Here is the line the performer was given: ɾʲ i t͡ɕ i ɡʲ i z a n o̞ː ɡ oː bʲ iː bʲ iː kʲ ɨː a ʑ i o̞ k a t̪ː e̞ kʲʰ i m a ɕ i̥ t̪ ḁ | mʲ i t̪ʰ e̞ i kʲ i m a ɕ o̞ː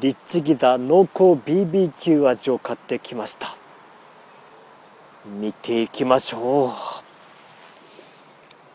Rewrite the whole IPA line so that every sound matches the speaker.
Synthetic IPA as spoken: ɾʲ i t͡ɕ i ɡʲ i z a n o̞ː k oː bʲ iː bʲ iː kʲ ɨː a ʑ i o̞ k a t̪ː e̞ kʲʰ i m a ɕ i̥ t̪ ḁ | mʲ i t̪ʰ e̞ i kʲ i m a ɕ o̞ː